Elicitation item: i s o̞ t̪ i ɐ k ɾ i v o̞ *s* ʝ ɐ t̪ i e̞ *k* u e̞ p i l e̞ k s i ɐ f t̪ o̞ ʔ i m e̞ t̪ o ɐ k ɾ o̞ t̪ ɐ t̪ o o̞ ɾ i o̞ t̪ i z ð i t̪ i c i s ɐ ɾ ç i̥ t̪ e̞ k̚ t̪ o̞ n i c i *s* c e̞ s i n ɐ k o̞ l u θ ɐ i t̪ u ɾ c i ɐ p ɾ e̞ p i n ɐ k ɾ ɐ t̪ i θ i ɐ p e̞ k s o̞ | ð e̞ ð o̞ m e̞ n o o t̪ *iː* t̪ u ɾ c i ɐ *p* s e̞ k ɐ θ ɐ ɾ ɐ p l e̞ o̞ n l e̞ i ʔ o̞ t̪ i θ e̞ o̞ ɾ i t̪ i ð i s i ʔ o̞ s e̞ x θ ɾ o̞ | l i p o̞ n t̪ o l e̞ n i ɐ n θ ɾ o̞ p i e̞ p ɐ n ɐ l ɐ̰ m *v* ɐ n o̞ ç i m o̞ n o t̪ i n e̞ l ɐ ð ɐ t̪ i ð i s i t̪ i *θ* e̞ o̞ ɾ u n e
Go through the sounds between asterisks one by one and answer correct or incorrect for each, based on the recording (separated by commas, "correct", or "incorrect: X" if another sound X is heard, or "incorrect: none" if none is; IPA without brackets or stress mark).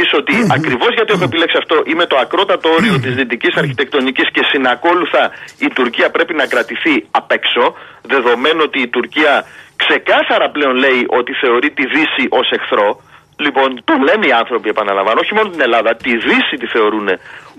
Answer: incorrect: z, incorrect: x, correct, correct, incorrect: k, correct, correct